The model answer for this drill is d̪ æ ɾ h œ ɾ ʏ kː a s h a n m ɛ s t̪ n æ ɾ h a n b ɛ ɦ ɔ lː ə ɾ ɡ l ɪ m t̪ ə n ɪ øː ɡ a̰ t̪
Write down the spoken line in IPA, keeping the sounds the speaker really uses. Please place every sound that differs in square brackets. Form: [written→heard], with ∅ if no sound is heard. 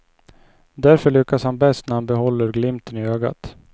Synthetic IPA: d̪ æ ɾ [h→f] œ [ɾ→ɭ] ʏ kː a s h a n [m→b] ɛ s t̪ n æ ɾ h a n b ɛ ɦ ɔ lː ə ɾ ɡ l ɪ m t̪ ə n ɪ øː ɡ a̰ t̪